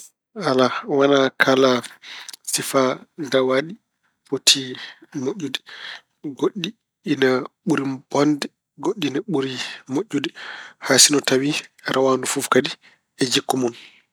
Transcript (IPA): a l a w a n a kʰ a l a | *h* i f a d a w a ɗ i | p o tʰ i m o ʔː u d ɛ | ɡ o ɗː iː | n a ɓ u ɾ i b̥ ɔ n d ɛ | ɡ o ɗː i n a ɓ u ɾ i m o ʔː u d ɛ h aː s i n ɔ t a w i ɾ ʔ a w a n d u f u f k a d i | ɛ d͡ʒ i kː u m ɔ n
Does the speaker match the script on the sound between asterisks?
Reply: no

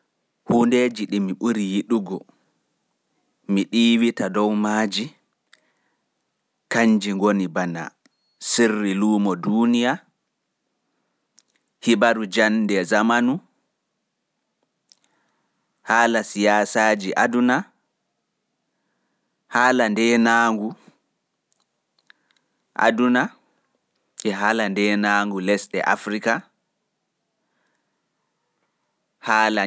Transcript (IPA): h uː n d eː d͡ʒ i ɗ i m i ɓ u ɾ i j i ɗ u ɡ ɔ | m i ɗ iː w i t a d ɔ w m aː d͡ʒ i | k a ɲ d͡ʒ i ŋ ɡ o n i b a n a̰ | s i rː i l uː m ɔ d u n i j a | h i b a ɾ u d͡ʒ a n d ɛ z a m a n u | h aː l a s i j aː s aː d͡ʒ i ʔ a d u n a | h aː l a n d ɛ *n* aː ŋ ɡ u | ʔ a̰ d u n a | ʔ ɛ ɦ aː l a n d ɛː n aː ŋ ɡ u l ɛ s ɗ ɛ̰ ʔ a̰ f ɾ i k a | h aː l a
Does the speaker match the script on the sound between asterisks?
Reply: yes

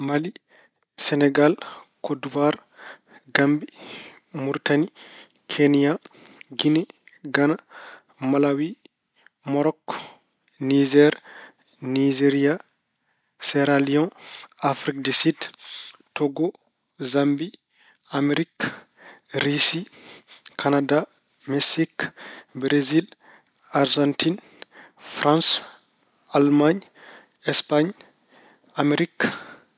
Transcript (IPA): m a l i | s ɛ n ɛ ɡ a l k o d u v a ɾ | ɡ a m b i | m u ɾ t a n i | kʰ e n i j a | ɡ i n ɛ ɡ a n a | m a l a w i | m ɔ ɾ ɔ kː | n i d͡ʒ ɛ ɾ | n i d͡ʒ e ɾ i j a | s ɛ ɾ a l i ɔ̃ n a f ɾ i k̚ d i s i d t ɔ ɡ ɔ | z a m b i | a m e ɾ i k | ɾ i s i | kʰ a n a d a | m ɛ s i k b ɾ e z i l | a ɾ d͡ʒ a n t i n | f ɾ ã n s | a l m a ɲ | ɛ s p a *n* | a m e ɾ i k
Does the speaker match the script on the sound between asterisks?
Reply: no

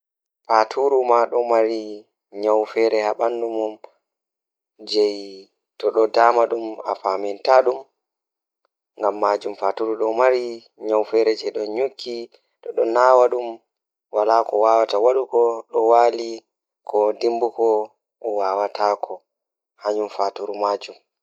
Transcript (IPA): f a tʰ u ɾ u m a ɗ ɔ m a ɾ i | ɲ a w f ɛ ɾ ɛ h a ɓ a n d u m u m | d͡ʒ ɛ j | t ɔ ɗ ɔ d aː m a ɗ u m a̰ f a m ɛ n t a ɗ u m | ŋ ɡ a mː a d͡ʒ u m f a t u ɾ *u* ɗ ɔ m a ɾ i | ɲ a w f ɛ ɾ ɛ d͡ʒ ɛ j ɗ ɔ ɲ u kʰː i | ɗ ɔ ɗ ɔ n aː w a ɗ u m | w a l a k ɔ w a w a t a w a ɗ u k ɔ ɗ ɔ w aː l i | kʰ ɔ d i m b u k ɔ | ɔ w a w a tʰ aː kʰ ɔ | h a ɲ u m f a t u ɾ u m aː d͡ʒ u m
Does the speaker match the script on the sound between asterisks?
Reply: yes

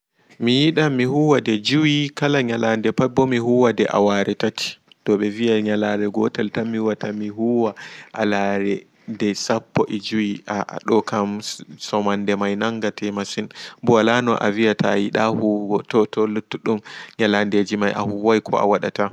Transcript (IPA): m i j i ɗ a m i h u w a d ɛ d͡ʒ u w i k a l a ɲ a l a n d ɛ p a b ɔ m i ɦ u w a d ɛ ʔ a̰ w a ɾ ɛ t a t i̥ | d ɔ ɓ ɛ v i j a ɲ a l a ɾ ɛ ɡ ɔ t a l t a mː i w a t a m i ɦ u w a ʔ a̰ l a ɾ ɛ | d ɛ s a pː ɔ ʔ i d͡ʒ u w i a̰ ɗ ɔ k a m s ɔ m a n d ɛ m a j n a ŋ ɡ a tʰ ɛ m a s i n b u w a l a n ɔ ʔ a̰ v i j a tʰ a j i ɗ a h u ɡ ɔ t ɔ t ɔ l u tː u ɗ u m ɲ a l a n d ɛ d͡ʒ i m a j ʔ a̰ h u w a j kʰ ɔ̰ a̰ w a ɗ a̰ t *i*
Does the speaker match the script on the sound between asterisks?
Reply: no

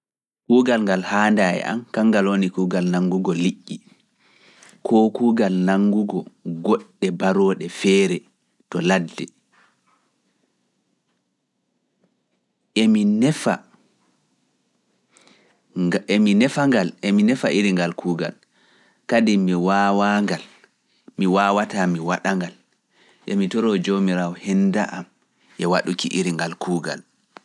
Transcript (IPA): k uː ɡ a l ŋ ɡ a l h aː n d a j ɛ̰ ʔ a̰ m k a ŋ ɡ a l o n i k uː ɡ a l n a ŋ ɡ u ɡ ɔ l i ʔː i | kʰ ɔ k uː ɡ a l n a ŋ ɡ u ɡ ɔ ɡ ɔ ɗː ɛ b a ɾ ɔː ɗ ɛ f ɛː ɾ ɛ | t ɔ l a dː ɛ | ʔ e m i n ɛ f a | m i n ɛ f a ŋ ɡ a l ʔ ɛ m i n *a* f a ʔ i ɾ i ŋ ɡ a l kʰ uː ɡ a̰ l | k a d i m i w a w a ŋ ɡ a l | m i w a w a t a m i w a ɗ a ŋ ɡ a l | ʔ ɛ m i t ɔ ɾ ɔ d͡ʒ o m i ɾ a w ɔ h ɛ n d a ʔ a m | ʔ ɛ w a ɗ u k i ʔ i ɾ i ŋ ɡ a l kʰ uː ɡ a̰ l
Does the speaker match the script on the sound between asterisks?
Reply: no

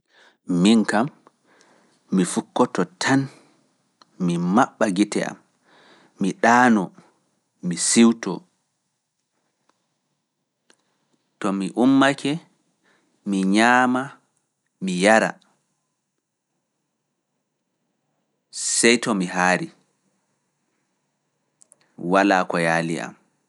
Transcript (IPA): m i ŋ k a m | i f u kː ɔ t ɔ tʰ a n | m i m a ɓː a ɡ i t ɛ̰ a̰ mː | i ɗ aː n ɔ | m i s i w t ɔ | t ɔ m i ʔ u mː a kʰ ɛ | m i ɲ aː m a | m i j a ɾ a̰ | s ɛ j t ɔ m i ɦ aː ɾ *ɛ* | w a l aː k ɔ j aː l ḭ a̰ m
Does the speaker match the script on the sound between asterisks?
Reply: no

